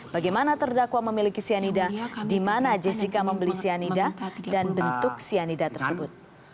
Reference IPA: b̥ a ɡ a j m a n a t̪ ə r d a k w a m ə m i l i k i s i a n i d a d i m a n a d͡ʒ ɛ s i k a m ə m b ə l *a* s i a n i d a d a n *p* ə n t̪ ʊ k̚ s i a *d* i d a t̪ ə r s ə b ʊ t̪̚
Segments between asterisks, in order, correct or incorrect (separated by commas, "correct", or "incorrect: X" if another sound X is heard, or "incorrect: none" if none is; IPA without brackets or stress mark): incorrect: i, incorrect: b, incorrect: n